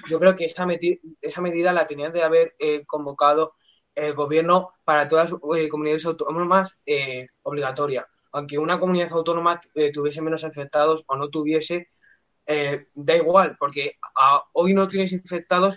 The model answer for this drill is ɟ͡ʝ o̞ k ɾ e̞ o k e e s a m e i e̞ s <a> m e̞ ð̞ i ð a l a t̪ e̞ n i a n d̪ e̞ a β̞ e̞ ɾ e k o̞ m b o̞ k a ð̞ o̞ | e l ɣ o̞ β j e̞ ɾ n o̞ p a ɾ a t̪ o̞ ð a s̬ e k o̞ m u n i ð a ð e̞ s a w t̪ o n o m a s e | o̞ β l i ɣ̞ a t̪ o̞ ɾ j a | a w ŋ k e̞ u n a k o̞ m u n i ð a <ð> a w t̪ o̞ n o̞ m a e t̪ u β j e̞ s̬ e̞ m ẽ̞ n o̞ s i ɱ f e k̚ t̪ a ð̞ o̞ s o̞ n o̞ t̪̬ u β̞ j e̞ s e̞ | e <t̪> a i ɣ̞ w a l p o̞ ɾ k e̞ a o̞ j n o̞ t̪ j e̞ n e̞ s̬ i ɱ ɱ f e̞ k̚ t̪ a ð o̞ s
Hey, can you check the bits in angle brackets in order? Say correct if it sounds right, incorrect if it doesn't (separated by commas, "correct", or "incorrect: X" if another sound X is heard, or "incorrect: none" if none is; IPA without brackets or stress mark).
correct, incorrect: θ, incorrect: d̪